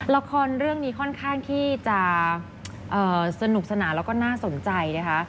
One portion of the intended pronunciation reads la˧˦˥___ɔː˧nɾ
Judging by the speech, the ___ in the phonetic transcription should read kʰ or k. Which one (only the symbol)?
kʰ